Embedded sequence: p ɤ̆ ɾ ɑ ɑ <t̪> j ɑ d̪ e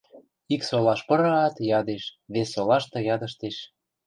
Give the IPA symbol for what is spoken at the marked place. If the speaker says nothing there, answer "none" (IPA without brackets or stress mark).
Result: t̪